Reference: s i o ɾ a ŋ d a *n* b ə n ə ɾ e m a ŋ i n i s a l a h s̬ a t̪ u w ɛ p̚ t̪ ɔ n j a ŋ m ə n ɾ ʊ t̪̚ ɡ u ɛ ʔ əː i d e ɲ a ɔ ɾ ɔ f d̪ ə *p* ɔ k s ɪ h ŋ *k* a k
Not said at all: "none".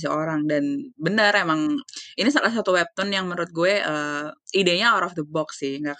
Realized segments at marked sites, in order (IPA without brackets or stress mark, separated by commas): n, b, ɡ